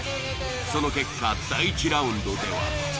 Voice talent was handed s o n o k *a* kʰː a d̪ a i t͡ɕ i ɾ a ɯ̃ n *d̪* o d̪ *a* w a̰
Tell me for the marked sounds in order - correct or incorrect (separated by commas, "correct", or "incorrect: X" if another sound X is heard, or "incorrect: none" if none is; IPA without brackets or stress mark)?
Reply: incorrect: e, correct, incorrect: e